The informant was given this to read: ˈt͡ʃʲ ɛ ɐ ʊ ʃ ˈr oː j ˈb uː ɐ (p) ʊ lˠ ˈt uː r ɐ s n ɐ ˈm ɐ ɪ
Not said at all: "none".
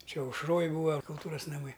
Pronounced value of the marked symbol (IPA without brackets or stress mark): k